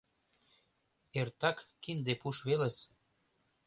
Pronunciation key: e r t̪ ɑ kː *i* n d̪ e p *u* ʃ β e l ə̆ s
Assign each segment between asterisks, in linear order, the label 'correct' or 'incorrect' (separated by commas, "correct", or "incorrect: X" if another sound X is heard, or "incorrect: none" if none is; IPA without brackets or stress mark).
correct, correct